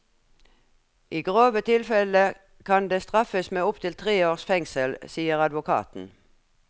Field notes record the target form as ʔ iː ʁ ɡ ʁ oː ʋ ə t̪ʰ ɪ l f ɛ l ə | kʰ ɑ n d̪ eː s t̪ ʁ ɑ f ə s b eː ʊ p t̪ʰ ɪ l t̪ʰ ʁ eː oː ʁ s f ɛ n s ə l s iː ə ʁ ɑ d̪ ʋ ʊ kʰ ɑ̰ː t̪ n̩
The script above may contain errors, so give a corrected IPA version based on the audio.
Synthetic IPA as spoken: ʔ iː ɡ ʁ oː ʋ ə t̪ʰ ɪ l f ɛ l ə | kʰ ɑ n d̪ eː s t̪ ʁ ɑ f ə s m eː ʊ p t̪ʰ ɪ l t̪ʰ ʁ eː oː ʁ s f ɛ ŋ s ə l s iː ə ʁ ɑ d̪ ʋ ʊ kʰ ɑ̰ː t̪ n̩